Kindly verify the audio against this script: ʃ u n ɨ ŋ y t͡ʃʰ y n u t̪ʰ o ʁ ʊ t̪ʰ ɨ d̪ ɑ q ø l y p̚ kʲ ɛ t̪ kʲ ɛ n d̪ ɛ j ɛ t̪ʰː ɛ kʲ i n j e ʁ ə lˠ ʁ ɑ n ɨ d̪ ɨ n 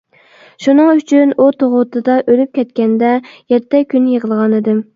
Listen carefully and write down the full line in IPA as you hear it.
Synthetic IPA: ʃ u n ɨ ŋ y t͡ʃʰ y n u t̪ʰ o ʁ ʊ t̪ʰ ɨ d̪ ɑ ʔ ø l y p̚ kʲ ɛ t̪ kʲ ɛ n d̪ ɛ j ɛ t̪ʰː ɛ kʲ y n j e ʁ ə lˠ ʁ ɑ n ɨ d̪ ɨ m